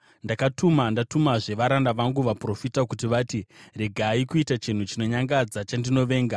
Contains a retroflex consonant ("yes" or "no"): yes